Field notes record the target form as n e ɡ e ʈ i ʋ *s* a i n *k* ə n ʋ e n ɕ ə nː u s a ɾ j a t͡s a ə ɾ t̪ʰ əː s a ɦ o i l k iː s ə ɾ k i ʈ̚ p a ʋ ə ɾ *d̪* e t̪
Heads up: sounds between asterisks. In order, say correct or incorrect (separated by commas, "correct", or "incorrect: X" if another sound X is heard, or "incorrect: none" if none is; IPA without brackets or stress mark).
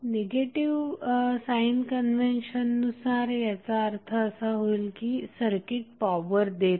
correct, correct, correct